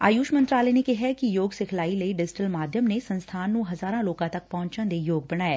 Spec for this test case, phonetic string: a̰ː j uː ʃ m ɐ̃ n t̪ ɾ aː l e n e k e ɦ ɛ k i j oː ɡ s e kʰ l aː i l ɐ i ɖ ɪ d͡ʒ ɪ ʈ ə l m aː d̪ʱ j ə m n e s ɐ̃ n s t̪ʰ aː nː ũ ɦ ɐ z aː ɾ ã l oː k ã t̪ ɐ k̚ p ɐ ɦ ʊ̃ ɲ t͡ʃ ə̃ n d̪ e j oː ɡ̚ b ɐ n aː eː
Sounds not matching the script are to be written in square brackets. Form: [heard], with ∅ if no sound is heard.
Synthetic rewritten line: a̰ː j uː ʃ m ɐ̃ n t̪ ɾ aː l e n e k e ɦ ɛ k i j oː ɡ s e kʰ l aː i l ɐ i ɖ ɪ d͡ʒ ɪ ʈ ə l m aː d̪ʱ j ə m n e s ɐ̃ n s t̪ʰ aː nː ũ ɦ ɐ z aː ɾ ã l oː k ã t̪ ɐ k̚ p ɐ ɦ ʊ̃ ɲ t͡ʃ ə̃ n d̪ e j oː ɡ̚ b ɐ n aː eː